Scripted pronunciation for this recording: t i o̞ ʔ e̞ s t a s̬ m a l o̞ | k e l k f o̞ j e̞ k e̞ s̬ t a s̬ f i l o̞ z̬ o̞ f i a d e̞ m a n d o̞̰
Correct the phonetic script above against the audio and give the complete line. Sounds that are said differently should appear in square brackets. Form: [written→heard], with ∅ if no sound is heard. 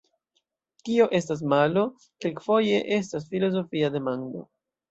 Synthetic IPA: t i o̞ ʔ e̞ s t a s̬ m a l o̞ | k e l k f o̞ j e̞ [k→ʔ] e̞ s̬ t a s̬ f i l o̞ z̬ o̞ f i a d e̞ m a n d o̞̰